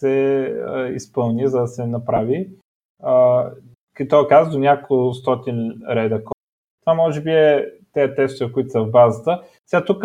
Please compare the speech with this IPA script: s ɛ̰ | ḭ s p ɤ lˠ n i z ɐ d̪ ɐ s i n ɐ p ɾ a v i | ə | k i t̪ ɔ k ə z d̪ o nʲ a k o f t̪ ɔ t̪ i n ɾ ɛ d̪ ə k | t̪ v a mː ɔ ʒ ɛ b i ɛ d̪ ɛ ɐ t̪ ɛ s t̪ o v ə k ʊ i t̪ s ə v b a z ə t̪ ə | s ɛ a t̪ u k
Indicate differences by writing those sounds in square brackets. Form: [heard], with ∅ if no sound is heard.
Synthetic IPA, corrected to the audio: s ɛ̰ | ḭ s p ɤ lˠ n i z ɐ d̪ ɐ s [ɛ] n ɐ p ɾ a v i | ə | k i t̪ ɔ k [a] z d̪ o nʲ a k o [s] t̪ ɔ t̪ i n ɾ ɛ d̪ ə k | t̪ v a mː ɔ ʒ ɛ b i ɛ [t̪] ɛ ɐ t̪ ɛ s t̪ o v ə k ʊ i t̪ s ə v b a z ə t̪ ə | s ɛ a t̪ u k